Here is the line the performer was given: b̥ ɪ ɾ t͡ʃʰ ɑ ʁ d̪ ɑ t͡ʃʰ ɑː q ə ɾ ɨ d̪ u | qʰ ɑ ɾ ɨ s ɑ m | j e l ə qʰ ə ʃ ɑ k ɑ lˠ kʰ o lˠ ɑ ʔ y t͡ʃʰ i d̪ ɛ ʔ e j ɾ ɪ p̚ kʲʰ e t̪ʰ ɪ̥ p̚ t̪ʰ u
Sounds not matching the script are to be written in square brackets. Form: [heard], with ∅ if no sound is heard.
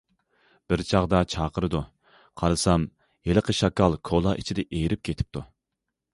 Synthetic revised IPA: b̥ ɪ ɾ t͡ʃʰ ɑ ʁ d̪ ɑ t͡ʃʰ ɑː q ə ɾ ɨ d̪ u | qʰ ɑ ɾ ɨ s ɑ m | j e l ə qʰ ə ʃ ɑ k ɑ lˠ kʰ o lˠ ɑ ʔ [i] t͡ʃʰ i d̪ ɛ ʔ e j ɾ ɪ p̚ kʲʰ e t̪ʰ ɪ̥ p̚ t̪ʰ u